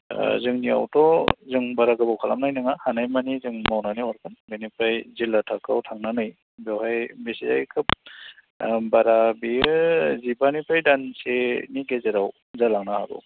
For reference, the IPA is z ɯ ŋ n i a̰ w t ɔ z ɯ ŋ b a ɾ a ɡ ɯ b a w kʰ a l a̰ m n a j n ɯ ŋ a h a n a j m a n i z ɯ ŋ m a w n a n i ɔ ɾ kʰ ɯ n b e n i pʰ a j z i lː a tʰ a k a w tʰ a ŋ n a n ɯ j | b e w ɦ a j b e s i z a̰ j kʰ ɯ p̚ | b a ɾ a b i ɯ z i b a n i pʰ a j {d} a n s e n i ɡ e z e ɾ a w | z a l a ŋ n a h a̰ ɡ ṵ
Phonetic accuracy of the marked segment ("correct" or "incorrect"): correct